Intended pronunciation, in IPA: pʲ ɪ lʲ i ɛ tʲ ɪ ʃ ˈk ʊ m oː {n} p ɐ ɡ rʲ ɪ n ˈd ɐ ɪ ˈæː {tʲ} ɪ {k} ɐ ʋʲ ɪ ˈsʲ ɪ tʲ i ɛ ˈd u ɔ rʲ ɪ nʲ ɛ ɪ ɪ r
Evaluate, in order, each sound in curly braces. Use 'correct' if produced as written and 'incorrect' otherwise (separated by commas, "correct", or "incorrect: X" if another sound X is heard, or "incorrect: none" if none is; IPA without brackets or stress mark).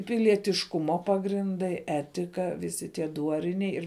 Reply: incorrect: none, correct, correct